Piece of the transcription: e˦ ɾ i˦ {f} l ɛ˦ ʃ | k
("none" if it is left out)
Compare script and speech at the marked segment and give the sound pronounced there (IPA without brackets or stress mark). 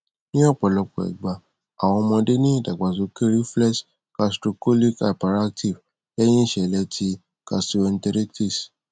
f